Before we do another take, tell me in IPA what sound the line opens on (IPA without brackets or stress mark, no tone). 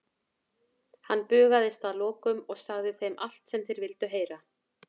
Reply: h